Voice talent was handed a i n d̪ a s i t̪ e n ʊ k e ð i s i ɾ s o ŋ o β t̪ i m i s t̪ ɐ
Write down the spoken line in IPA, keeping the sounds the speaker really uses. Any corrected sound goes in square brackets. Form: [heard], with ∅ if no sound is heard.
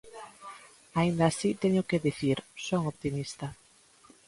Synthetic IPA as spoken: a i n d̪ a s i t̪ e [ɲ] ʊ k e ð i [θ] i ɾ s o ŋ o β t̪ i m i s t̪ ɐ